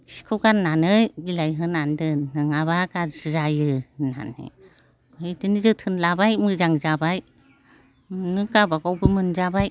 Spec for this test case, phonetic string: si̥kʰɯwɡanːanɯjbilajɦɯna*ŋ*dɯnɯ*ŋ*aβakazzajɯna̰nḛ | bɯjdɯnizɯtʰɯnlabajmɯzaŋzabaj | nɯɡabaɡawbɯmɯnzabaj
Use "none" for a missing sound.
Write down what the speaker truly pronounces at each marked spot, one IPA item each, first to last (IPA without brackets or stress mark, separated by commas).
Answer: n, ŋ